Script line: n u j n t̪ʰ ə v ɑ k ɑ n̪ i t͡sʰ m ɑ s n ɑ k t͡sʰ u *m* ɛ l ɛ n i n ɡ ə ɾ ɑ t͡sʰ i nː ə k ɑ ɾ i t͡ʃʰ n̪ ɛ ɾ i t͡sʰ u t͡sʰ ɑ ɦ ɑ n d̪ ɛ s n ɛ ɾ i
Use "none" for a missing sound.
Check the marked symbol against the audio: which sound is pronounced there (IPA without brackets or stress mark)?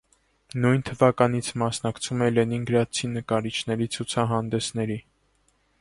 m